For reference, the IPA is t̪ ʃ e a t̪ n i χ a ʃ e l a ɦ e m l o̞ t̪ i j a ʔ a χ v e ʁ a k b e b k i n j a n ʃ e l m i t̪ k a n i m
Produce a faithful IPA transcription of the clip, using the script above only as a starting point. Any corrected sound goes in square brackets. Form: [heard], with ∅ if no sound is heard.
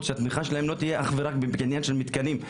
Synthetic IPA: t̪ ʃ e a t̪ [m] i χ a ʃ e l a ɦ e m l o̞ t̪ i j [e] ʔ a χ v e ʁ a k b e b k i n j a n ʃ e l m i t̪ k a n i m